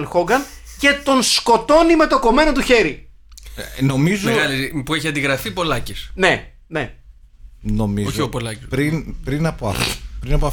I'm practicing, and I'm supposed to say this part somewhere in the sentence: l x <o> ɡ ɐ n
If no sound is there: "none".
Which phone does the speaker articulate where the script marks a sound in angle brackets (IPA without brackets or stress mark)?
o